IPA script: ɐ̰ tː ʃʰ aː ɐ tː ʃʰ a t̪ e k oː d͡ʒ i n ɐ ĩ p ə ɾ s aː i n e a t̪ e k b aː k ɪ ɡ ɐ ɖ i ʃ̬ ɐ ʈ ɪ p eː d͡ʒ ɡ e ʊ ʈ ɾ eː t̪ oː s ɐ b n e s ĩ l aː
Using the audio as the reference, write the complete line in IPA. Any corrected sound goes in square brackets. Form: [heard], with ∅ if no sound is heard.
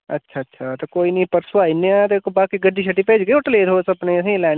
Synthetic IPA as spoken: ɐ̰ tː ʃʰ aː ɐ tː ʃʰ a t̪ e k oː [∅] i n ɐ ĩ p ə ɾ s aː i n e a t̪ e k b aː k [i] ɡ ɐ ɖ i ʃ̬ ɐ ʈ [i] p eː d͡ʒ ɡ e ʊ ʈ [l] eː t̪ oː s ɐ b n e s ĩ l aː